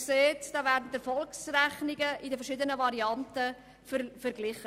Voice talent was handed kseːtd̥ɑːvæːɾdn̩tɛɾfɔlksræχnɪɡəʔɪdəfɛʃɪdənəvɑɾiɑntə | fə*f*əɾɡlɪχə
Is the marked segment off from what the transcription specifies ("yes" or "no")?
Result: no